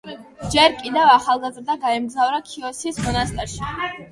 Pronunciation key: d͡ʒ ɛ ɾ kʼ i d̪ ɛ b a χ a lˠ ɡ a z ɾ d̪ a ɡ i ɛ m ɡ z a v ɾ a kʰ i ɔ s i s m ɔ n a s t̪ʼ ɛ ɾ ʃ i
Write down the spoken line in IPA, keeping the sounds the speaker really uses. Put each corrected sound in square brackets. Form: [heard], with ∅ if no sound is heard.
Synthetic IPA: d͡ʒ ɛ ɾ kʼ i d̪ ɛ [v] a χ a lˠ ɡ a z ɾ d̪ a ɡ [a] ɛ m ɡ z a v ɾ a kʰ i ɔ s i s m ɔ n a s t̪ʼ ɛ ɾ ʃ i